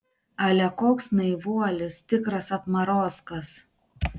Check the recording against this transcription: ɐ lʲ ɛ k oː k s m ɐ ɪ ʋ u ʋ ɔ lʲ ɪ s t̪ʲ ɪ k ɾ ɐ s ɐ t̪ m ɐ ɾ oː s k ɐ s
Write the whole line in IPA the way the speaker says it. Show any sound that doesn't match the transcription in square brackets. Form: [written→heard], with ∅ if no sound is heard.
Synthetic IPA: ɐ lʲ ɛ k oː k s [m→n] ɐ ɪ ʋ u [ʋ→∅] ɔ lʲ ɪ s t̪ʲ ɪ k ɾ ɐ s ɐ t̪ m ɐ ɾ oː s k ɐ s